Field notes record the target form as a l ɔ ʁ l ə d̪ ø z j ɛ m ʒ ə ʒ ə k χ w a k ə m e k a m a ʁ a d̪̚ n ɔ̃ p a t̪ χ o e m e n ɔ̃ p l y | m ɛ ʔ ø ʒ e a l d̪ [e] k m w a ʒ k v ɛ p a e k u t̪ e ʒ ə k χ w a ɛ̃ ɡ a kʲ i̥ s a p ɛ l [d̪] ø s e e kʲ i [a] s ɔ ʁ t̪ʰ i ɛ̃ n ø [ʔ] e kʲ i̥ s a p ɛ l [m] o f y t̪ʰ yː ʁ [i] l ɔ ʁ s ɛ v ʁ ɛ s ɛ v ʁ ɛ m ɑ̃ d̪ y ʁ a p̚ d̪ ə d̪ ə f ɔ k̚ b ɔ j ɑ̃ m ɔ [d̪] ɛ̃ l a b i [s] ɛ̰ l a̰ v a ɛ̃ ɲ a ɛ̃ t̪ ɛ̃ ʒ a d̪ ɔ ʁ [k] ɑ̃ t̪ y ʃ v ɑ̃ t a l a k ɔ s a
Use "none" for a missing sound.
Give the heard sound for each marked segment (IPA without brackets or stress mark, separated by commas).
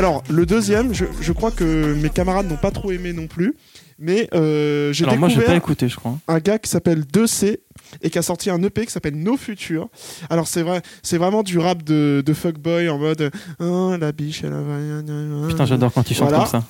e, d̪, a, p, n, a, d̪, ʃ, k